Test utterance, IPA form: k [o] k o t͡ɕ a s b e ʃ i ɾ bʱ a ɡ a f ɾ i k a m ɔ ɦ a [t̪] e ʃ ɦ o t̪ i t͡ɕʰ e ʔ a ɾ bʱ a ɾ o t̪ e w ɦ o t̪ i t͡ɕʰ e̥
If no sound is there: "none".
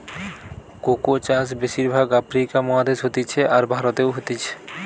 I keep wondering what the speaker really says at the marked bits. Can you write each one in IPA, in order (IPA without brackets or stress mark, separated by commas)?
o, d̪